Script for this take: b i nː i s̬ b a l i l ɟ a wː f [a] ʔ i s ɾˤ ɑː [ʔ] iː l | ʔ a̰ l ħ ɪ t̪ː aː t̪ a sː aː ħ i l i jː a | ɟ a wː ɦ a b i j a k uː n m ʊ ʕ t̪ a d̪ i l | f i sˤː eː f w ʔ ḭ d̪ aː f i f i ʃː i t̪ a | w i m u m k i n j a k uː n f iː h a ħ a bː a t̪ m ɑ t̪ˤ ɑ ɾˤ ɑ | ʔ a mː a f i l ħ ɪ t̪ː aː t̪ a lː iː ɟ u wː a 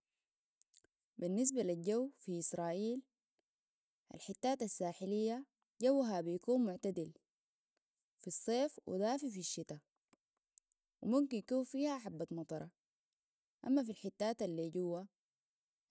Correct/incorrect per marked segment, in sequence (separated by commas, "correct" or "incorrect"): incorrect, correct